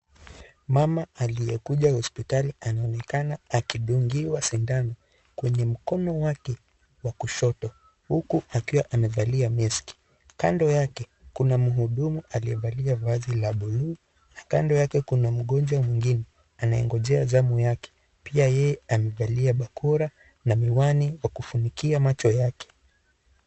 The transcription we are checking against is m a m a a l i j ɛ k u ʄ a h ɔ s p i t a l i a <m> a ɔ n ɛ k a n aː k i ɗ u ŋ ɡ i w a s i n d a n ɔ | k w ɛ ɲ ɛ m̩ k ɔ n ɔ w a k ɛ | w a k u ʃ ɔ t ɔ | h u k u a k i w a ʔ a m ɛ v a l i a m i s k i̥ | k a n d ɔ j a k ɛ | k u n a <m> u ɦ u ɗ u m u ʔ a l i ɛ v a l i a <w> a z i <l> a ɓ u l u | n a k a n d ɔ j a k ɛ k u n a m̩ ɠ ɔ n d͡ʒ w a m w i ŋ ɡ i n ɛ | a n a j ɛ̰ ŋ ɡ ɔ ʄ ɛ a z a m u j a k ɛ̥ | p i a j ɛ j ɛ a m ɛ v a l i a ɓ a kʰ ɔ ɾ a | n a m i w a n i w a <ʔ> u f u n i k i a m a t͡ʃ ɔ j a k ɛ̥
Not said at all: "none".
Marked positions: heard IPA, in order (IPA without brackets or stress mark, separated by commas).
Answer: n, m, v, l, k